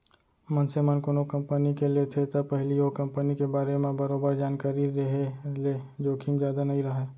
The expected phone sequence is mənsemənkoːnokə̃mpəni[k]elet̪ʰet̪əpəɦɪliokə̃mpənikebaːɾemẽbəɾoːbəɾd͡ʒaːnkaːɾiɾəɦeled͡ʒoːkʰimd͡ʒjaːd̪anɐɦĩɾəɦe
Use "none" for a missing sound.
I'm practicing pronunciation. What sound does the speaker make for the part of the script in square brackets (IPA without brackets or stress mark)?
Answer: k